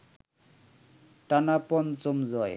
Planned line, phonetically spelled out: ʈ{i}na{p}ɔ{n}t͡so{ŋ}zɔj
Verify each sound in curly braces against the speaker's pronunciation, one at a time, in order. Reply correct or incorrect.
incorrect, correct, correct, incorrect

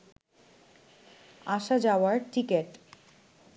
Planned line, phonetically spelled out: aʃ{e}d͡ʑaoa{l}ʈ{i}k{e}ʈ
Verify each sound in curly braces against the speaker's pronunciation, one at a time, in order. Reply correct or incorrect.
incorrect, incorrect, correct, correct

